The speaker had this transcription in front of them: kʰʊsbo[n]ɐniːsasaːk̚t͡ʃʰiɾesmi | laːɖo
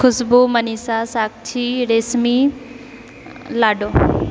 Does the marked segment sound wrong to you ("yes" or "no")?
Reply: yes